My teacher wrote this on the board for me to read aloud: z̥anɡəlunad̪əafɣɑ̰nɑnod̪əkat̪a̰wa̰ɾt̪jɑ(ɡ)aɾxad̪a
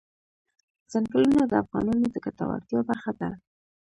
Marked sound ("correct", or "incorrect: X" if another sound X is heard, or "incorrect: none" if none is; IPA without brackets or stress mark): incorrect: b